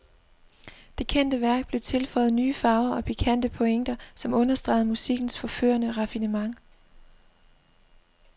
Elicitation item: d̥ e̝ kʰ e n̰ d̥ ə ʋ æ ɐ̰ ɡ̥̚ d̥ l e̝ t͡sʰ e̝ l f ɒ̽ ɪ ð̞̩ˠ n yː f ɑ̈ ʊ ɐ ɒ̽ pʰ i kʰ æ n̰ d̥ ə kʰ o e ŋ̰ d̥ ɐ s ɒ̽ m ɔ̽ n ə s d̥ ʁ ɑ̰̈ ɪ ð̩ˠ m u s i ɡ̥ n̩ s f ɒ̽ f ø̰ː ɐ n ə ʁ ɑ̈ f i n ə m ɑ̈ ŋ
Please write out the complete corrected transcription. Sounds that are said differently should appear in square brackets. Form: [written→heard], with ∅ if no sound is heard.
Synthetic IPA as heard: d̥ e̝ kʰ e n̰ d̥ ə ʋ æ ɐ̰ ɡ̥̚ [d̥→b̥] l e̝ t͡sʰ e̝ l f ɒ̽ ɪ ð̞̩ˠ n yː f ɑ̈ ʊ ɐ ɒ̽ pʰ i kʰ æ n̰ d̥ ə [kʰ→pʰ] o e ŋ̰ d̥ ɐ s ɒ̽ m ɔ̽ n [ə→ɐ] s d̥ ʁ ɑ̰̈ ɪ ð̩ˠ m u s i ɡ̥ n̩ s f ɒ̽ f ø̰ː ɐ n ə ʁ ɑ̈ f i n ə m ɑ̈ ŋ